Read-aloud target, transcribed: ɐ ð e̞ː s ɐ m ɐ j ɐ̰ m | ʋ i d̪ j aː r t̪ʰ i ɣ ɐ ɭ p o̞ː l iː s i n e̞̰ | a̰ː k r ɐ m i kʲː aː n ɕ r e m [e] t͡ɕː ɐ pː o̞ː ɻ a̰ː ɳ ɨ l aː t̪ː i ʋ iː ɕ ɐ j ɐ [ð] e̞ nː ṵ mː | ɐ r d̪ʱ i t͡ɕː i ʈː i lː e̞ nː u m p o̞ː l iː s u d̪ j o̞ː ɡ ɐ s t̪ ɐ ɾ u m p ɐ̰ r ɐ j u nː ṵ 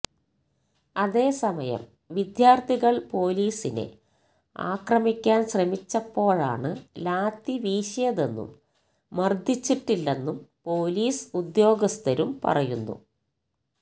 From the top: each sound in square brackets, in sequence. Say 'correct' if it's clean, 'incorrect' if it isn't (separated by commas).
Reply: incorrect, correct